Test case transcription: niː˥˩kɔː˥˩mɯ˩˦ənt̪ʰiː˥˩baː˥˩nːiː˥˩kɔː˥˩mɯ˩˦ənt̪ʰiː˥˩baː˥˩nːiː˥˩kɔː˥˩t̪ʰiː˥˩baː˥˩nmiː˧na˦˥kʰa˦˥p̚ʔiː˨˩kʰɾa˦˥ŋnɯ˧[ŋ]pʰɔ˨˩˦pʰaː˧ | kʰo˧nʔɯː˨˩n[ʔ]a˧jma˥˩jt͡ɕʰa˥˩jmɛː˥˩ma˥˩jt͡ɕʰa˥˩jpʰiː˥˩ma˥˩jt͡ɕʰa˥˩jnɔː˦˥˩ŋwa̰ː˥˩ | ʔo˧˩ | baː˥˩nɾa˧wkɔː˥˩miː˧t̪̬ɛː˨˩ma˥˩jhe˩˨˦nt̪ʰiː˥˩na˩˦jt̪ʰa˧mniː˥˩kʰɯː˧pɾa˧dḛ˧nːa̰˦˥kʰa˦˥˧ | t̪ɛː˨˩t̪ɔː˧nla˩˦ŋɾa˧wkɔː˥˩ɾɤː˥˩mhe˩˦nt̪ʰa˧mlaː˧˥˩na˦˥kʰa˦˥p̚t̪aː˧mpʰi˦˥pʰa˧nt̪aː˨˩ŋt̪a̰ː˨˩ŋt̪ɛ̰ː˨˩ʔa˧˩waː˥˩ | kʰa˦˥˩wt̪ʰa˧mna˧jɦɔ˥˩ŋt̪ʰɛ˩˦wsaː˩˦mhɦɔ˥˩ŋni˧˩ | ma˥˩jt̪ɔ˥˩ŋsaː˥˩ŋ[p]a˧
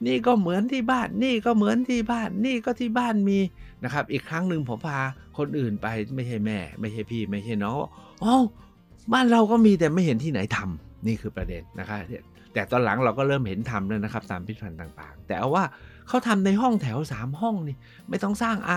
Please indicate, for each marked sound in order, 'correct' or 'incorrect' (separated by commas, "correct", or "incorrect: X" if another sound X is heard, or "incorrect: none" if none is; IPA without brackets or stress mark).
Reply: correct, incorrect: p, incorrect: ʔ